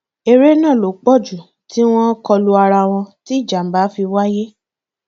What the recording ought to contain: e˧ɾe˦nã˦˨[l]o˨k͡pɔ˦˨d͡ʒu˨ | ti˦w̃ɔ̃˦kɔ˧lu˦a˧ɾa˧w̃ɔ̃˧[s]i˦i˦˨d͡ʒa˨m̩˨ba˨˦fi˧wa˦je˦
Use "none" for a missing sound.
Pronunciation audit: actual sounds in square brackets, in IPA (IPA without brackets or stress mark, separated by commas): l, t